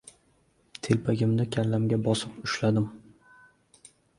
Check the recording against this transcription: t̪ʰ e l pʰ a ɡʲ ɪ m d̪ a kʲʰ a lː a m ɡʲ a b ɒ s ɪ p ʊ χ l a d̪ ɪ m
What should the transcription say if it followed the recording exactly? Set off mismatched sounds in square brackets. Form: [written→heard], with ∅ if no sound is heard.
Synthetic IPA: t̪ʰ e l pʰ a ɡʲ ɪ m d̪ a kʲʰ a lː a m ɡʲ a b ɒ s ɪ p ʊ [χ→ʃ] l a d̪ ɪ m